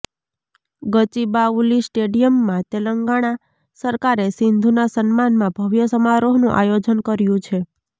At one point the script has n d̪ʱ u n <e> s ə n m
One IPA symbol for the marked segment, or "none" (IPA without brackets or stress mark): a